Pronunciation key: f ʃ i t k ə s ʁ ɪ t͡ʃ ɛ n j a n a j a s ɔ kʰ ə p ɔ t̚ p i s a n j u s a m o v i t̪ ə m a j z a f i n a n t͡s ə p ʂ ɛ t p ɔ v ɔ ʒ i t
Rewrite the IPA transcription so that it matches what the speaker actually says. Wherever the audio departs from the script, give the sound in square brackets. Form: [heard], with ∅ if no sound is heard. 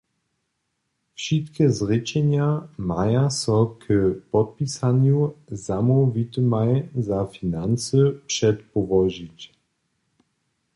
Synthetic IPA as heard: f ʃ i t k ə [z] ʁ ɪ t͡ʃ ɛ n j a [m] a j a s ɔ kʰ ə p ɔ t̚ p i s a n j u [z] a m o v i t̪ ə m a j z a f i n a n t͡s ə p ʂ ɛ t p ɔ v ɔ ʒ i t